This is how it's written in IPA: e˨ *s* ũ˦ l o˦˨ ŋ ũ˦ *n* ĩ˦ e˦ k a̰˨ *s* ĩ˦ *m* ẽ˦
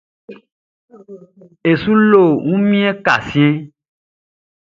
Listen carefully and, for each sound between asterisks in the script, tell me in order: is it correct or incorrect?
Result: correct, incorrect: m, correct, incorrect: none

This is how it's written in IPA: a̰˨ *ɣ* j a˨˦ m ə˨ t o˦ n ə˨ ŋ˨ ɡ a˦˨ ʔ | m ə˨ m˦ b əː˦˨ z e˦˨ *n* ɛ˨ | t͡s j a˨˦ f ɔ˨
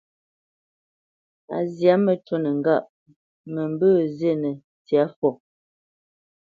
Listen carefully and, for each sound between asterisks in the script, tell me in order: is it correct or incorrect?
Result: incorrect: z, correct

